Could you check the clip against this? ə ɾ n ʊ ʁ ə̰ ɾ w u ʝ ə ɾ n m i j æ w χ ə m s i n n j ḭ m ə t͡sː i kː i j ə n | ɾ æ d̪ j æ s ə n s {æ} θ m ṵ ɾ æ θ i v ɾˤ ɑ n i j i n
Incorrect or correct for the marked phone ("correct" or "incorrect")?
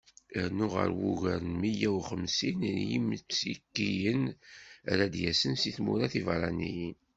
incorrect